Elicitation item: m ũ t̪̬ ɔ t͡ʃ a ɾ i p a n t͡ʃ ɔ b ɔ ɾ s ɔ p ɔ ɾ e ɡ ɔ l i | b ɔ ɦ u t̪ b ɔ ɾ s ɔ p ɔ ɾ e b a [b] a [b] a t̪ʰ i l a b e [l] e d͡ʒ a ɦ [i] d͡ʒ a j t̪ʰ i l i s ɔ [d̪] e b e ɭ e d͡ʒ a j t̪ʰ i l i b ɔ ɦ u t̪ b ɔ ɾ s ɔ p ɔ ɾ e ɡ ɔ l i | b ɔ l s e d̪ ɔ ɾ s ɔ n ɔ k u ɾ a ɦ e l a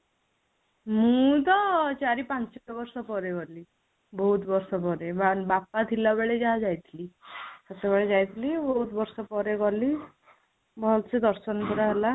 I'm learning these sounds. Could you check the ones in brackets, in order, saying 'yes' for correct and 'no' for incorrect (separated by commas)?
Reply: yes, no, no, no, no